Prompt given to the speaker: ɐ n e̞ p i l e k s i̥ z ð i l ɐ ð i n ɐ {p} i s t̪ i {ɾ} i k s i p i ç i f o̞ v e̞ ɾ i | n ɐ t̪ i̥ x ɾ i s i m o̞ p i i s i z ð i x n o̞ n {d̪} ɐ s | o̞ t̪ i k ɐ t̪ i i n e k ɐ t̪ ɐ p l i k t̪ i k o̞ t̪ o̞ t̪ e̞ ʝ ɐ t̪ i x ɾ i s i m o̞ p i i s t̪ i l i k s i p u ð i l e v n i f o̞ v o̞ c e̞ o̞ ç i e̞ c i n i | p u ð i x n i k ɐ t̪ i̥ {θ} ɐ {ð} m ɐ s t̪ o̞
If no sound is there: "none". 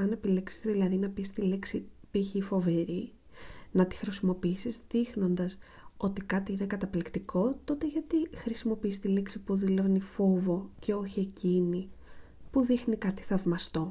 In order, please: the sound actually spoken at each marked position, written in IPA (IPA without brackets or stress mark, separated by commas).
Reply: p, l, d̪, θ, v